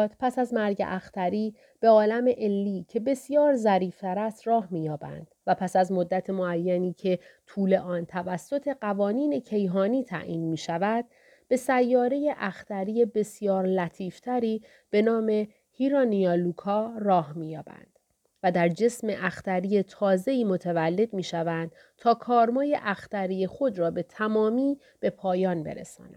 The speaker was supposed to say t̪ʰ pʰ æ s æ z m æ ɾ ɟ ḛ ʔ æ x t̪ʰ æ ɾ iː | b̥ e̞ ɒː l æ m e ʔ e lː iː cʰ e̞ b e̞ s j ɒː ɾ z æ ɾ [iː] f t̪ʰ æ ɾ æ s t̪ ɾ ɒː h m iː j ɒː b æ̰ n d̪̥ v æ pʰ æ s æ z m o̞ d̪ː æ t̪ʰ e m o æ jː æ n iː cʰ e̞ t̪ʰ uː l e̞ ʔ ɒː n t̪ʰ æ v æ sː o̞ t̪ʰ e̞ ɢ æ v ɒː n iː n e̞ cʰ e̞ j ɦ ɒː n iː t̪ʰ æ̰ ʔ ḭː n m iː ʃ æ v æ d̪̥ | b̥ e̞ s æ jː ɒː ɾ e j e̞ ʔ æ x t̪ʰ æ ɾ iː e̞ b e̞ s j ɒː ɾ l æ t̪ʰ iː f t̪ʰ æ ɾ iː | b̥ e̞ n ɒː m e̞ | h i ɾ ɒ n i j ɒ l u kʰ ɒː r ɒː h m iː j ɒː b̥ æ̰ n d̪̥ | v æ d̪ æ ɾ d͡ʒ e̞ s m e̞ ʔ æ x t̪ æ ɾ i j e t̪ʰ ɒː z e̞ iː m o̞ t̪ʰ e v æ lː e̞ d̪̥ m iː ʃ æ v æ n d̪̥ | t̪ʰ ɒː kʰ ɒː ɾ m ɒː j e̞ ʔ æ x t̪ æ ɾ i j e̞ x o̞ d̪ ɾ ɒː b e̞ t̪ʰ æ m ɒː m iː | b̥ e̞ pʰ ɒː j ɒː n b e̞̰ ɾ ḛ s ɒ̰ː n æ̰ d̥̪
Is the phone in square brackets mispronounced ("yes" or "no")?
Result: no